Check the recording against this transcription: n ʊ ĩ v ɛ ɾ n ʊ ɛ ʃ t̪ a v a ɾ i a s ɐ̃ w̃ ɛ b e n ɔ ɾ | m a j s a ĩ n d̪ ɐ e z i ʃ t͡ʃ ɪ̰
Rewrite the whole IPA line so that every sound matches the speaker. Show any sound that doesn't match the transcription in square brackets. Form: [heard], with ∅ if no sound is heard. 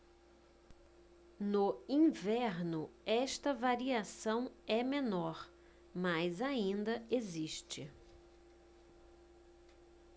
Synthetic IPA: n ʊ ĩ v ɛ ɾ n ʊ ɛ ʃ t̪ [ɐ] v a ɾ i a s ɐ̃ w̃ ɛ [m] e n ɔ ɾ | m a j [z] a ĩ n d̪ ɐ e z i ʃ t͡ʃ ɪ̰